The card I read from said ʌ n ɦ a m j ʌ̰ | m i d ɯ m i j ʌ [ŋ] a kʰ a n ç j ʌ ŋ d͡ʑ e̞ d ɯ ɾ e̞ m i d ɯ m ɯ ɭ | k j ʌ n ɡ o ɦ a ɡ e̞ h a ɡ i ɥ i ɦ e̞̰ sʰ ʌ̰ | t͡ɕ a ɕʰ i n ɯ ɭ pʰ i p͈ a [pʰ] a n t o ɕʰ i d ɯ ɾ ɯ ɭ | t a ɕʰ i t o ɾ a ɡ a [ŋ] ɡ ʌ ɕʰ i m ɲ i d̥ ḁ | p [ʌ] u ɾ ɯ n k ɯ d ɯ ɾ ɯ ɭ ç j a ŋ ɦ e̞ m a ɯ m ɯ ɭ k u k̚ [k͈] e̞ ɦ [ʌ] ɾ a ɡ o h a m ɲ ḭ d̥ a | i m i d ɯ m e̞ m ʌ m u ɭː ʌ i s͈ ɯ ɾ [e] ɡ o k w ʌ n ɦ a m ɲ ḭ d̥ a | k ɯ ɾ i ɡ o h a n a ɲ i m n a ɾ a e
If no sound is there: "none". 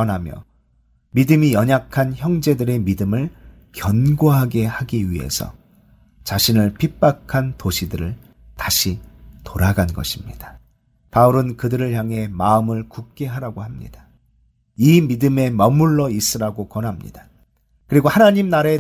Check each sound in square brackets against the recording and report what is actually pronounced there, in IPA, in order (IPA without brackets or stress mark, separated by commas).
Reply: ɲ, kʰ, n, a, k͈, a, a